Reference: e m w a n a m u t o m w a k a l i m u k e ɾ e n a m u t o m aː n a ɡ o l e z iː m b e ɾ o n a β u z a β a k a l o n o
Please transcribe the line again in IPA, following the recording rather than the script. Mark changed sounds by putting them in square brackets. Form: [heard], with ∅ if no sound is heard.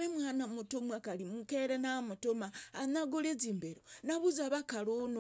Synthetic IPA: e m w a n a m u t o m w a k a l i m u k e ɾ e n a m u t o m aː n a ɡ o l e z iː m b e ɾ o n a β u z a β a k a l o n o